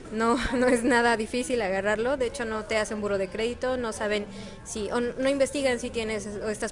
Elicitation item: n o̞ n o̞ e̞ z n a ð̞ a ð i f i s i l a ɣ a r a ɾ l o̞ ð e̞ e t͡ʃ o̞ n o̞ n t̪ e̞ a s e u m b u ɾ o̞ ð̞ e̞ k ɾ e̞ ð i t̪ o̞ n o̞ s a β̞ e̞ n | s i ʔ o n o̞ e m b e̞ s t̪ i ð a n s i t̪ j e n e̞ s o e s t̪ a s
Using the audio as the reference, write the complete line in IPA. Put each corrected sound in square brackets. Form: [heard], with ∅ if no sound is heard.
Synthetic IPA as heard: n o̞ n o̞ e̞ z n a ð̞ a ð i f i s i l a ɣ a r a ɾ l o̞ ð e̞ e t͡ʃ o̞ n o̞ [∅] t̪ e̞ a s e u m b u ɾ o̞ ð̞ e̞ k ɾ e̞ ð i t̪ o̞ n o̞ s a β̞ e̞ n | s i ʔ o n o̞ [i] m b e̞ s t̪ i [ɣ] a n s i t̪ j e n e̞ s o e s t̪ a s